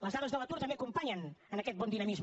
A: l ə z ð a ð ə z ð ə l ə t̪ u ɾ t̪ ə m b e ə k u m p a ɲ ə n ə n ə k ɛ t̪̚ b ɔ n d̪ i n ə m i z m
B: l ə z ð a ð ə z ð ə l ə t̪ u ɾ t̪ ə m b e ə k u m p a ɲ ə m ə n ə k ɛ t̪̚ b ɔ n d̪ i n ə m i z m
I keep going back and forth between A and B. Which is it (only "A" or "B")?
A